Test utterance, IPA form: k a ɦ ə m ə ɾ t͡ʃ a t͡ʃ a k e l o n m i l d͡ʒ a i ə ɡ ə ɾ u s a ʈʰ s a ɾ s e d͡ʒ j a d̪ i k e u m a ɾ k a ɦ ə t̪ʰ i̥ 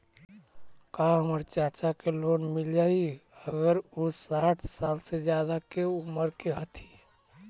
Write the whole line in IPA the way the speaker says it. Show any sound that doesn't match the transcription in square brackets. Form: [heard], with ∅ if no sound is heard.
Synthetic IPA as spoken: k a ɦ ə m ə ɾ t͡ʃ a t͡ʃ a k e l o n m i l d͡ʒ a i ə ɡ ə ɾ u s a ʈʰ s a [l] s e d͡ʒ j a d̪ [a] k e u m [ə] ɾ k [e] ɦ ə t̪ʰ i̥